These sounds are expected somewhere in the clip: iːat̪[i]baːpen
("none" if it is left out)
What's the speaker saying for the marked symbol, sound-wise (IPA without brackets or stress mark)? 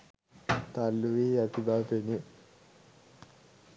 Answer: i